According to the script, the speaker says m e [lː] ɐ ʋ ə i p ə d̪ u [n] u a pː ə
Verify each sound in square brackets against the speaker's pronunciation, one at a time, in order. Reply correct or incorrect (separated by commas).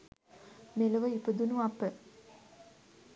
incorrect, correct